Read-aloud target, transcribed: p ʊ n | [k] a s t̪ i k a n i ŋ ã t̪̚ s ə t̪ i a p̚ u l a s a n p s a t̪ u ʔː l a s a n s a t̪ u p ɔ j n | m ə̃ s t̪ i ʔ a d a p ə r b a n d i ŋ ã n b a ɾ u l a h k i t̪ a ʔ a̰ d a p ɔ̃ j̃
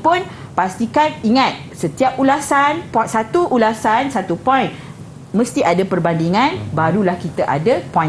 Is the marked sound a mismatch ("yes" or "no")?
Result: yes